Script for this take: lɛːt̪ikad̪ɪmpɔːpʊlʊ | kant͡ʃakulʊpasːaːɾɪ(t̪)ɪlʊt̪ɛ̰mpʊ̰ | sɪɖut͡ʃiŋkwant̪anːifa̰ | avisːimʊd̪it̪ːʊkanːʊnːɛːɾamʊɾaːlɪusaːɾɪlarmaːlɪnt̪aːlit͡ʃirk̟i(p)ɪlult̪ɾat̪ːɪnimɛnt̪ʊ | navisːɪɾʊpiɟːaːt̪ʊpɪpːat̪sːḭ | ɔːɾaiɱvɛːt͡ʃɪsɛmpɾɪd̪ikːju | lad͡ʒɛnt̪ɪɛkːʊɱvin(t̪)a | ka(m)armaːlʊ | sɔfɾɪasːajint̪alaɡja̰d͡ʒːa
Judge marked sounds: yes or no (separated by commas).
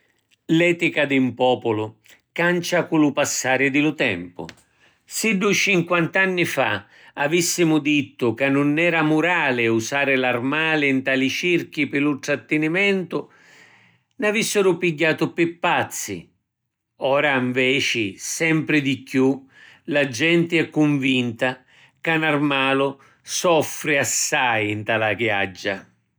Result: no, yes, yes, no